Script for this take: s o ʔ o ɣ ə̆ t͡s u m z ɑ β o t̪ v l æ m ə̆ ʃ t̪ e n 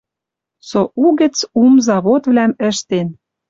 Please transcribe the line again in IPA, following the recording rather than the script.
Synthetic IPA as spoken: s o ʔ u ɣ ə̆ t͡s u m z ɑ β o t̪ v l æ m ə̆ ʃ t̪ e n